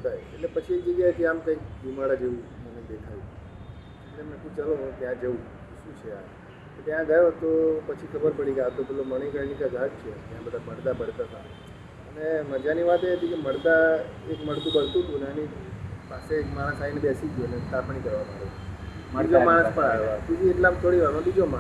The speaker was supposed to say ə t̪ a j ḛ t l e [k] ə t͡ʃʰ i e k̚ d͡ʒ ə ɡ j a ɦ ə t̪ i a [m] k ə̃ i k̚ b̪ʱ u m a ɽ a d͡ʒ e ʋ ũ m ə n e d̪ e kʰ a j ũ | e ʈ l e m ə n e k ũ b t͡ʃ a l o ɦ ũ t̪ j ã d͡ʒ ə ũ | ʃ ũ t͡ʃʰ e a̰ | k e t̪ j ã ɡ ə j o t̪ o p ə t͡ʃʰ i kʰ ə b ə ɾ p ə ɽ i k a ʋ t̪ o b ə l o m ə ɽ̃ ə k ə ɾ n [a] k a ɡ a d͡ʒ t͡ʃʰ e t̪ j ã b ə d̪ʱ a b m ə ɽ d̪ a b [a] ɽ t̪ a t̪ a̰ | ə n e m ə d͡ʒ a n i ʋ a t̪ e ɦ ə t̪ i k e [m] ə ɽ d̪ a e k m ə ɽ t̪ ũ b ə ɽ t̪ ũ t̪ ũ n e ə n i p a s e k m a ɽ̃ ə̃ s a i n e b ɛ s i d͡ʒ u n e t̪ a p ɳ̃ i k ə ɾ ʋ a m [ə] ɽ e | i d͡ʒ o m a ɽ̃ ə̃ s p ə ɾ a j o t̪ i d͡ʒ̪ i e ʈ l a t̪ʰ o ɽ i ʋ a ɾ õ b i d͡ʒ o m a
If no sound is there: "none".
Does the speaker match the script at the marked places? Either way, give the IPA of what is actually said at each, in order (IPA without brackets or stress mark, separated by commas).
p, m, i, ə, m, a